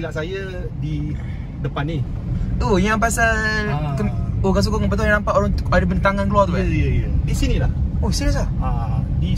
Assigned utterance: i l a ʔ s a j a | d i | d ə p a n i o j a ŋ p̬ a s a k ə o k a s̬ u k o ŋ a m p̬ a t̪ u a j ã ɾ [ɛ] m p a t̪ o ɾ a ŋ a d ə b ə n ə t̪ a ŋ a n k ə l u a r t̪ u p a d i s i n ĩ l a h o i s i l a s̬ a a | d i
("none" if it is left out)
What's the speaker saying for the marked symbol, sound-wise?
a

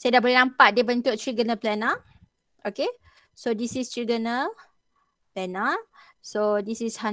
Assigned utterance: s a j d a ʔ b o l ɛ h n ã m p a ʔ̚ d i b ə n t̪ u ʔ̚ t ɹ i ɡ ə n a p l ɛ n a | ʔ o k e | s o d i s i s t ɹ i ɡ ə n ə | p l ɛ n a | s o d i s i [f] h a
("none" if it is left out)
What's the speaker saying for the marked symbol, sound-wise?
s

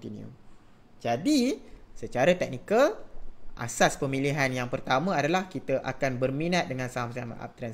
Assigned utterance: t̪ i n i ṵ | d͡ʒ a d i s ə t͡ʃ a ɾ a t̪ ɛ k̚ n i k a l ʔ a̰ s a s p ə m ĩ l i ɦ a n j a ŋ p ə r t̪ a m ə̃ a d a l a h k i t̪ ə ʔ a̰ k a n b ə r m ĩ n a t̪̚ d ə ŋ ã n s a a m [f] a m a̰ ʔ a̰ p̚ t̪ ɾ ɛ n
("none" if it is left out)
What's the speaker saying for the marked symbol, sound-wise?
s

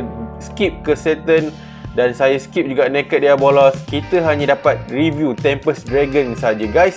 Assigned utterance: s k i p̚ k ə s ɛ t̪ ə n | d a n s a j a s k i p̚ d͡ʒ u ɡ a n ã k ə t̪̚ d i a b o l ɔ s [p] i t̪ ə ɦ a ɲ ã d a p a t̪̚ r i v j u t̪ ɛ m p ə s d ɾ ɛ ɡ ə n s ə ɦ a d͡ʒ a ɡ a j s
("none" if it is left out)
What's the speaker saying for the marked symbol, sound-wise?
k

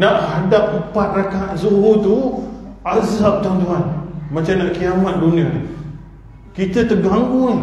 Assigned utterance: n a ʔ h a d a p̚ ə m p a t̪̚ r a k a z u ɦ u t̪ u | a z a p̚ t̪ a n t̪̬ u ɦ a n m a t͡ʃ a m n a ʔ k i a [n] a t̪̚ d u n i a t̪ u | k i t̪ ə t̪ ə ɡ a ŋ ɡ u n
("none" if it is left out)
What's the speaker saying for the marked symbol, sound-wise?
m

